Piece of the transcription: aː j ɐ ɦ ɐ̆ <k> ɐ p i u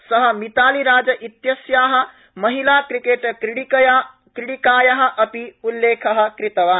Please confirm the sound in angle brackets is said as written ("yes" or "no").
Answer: no